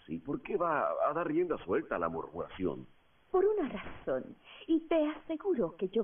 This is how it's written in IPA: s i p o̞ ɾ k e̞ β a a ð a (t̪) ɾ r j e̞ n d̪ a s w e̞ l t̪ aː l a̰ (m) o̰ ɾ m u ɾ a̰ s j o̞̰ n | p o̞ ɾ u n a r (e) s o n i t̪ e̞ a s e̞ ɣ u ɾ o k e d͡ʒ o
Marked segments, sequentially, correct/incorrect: incorrect, correct, incorrect

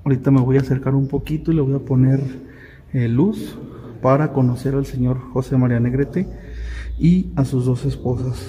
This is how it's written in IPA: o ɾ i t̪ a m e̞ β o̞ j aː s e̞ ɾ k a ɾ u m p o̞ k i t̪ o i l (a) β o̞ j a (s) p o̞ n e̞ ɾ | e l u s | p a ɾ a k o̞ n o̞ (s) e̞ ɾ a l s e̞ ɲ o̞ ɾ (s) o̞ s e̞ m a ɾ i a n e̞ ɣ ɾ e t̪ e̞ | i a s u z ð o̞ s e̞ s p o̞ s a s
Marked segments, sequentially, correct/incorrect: incorrect, incorrect, correct, incorrect

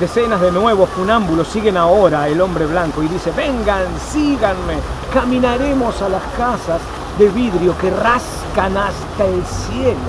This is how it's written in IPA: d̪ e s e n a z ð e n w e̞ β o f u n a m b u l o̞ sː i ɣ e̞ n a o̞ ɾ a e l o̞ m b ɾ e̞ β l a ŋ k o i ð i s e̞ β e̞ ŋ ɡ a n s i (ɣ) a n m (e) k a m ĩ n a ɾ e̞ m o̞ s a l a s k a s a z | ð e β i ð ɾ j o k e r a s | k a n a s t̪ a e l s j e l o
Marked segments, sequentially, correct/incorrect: correct, correct

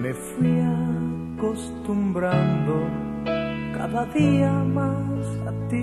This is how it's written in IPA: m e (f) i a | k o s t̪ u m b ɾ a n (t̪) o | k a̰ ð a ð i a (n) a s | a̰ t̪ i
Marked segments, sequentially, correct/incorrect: correct, incorrect, incorrect

